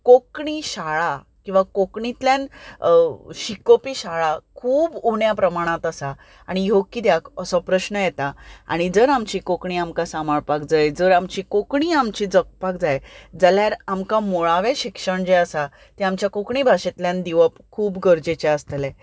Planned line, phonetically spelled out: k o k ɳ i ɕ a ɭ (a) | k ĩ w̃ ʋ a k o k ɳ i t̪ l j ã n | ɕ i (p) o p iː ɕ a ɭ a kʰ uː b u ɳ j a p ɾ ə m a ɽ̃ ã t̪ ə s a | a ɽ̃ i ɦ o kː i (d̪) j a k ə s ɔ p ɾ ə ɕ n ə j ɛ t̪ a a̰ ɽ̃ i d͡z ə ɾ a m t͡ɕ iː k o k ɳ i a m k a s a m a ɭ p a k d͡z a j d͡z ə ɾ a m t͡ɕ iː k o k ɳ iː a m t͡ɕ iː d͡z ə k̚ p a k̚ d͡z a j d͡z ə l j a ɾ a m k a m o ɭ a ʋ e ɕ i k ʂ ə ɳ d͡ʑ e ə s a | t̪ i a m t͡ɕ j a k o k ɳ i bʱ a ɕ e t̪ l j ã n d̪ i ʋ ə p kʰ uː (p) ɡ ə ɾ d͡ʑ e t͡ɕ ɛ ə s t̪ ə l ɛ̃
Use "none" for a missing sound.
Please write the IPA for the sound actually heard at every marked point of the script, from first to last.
a, k, d̪, b

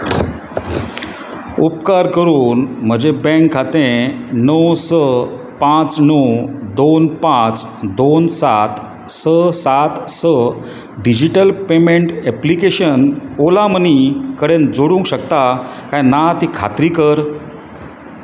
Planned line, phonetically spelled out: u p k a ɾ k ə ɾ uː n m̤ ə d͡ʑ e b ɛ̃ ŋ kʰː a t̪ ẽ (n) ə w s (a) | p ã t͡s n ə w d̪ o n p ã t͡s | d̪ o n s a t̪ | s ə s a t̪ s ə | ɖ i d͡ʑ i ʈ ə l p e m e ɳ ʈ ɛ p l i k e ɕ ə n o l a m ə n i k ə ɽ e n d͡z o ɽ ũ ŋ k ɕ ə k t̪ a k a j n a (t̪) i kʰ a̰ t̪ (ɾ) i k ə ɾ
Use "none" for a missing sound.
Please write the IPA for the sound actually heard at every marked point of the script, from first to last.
n, ə, t̪, ɾ

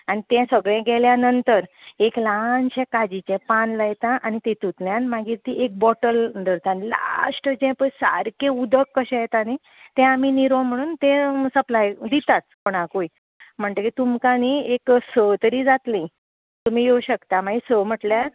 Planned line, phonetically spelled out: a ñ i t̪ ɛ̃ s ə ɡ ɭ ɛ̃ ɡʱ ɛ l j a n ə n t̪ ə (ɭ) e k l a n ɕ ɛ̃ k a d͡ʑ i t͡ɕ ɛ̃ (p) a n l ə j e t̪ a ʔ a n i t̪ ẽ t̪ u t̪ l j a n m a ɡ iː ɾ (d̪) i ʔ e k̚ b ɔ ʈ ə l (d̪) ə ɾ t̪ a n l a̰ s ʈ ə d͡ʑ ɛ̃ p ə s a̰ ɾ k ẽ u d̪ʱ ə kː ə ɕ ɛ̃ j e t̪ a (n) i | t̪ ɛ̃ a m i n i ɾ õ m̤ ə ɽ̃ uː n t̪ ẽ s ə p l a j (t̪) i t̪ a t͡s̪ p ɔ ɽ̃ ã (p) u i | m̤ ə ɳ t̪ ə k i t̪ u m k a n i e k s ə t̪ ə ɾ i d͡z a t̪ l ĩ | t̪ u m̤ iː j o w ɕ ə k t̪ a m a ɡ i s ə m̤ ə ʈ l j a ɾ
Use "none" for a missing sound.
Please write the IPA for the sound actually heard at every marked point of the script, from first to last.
ɾ, p, t̪, d̪, n, d̪, k

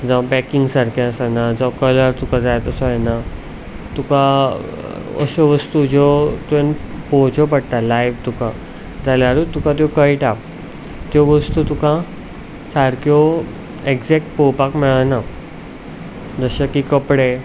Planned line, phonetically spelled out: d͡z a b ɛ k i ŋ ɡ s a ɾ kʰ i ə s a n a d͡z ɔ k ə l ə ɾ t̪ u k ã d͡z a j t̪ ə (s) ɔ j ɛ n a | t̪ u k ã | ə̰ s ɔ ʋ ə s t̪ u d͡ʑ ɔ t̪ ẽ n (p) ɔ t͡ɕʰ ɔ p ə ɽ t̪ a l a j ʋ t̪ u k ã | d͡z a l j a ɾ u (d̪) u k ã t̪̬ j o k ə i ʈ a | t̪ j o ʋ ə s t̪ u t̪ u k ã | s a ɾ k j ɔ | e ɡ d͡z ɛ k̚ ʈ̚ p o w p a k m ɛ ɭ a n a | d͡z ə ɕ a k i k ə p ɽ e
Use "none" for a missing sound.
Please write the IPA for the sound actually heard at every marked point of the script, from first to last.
s, p, t̪

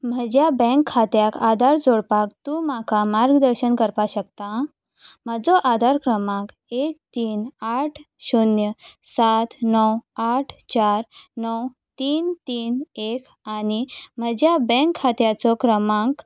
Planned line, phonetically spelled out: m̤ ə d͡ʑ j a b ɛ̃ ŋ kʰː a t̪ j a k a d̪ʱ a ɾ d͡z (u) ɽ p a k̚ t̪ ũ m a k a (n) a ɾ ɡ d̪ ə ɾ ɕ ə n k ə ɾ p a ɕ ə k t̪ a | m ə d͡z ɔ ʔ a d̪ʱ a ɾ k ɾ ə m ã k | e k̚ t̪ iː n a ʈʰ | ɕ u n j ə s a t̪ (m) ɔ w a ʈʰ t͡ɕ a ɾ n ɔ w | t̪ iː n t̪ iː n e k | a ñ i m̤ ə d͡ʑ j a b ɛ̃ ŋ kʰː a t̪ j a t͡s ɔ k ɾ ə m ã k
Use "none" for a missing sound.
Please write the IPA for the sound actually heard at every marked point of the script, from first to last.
o, m, n

